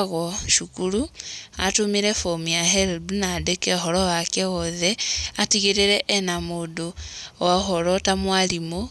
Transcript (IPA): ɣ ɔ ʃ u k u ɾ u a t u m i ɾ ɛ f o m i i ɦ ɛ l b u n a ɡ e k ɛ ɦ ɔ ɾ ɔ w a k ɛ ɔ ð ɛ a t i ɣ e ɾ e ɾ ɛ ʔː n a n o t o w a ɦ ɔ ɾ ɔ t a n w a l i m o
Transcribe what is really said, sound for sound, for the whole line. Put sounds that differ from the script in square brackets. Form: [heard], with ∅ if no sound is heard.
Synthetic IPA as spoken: ɣ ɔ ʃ u k u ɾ u a t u m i ɾ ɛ f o m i [a] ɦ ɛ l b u n a [d] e k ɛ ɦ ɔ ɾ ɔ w a k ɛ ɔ ð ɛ a t i ɣ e ɾ e ɾ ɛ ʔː n a [m] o [d] o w a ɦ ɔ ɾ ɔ t a [m] w a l i m o